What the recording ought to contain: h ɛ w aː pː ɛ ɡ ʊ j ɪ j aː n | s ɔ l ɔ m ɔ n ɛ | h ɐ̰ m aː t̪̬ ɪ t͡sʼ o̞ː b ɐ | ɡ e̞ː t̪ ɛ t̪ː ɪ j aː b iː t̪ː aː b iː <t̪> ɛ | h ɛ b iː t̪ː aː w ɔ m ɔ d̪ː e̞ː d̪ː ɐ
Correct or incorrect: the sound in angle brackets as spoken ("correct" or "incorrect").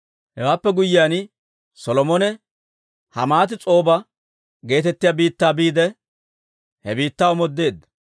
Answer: incorrect